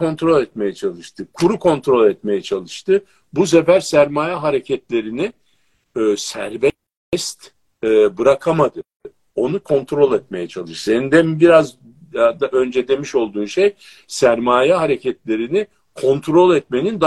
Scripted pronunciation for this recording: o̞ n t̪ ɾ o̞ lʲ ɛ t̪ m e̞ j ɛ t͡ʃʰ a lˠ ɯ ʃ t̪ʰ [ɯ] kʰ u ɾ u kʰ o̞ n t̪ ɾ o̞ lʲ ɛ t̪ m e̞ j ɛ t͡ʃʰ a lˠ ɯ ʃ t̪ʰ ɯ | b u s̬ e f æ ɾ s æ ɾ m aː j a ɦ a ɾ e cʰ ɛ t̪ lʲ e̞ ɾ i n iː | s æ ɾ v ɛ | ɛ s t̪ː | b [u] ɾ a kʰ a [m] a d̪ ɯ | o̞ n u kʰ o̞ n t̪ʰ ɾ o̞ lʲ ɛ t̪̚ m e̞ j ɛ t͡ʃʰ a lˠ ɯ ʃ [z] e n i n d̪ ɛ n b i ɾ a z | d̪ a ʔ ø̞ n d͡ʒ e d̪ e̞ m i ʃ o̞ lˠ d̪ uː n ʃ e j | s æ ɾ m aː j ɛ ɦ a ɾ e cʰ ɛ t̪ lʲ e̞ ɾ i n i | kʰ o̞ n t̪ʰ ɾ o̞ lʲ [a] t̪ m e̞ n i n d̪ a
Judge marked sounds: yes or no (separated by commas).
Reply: yes, no, yes, no, no